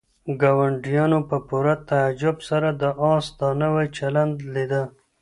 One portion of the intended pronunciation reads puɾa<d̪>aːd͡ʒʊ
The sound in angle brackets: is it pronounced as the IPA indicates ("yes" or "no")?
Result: no